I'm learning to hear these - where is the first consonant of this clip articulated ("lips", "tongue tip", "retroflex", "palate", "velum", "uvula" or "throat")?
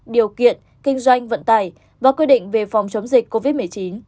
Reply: tongue tip